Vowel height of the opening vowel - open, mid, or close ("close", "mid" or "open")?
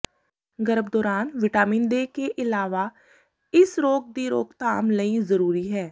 mid